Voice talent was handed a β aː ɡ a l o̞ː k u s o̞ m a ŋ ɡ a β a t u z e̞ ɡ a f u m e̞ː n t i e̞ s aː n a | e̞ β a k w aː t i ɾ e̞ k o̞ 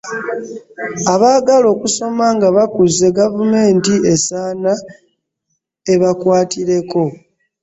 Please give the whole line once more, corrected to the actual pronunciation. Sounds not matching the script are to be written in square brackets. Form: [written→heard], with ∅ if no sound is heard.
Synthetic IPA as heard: a β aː ɡ a l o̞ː k u s o̞ m a ŋ ɡ a β a [t→k] u z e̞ ɡ a [f→v] u m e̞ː n t i e̞ s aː n a | e̞ β a k w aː t i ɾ e̞ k o̞